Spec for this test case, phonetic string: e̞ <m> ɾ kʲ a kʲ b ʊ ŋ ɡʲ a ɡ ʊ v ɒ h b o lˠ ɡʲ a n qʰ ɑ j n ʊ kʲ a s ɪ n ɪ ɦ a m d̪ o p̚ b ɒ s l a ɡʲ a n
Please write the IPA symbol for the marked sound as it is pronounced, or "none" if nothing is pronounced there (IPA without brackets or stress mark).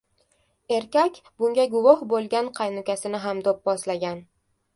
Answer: none